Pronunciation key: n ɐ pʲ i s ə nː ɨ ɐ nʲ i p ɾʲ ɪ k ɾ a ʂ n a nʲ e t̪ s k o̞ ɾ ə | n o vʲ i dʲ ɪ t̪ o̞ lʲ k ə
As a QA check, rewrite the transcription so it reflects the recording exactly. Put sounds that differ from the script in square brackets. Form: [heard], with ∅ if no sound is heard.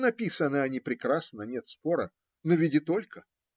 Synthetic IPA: n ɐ pʲ i s ə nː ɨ ɐ nʲ i p ɾʲ ɪ k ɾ a [s] n [ə] nʲ e t̪ s [p] o̞ ɾ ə | n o vʲ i dʲ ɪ t̪ o̞ lʲ k ə